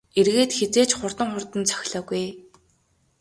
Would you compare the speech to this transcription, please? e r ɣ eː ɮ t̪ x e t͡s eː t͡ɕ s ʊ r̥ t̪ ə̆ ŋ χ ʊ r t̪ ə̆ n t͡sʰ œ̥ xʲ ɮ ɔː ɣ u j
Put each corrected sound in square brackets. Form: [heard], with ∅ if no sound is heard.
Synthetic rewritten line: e r ɣ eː [∅] t̪ x e t͡s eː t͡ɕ [χ] ʊ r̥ t̪ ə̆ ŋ χ ʊ r t̪ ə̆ n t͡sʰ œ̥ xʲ ɮ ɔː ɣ u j